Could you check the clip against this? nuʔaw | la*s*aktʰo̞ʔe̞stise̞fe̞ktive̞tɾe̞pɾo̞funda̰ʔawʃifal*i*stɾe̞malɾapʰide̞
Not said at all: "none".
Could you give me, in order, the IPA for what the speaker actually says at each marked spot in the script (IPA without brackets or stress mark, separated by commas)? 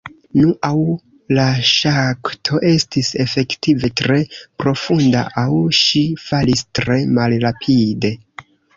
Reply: ʃ, i